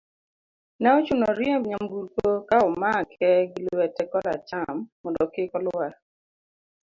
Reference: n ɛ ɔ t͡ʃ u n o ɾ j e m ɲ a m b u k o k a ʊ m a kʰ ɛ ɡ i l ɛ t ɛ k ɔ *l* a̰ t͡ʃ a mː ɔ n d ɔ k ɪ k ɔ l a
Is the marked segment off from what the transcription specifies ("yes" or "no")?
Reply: no